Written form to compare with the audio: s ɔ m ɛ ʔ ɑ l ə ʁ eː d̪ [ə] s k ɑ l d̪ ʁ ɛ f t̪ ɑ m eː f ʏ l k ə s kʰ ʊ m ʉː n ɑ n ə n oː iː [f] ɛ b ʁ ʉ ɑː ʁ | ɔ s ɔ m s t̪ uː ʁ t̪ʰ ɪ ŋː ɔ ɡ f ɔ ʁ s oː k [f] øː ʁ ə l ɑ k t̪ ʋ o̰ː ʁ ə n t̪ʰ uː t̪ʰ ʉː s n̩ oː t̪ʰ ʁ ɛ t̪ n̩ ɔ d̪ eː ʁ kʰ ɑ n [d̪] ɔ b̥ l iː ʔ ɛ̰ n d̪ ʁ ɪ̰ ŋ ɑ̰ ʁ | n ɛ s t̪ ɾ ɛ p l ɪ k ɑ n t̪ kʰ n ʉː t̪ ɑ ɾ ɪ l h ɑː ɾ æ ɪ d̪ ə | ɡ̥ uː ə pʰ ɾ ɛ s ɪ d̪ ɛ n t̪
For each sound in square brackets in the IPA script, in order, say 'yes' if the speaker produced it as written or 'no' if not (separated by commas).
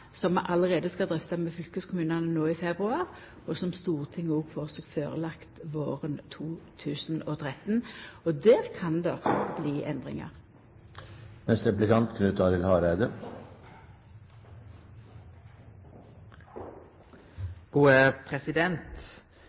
yes, yes, yes, yes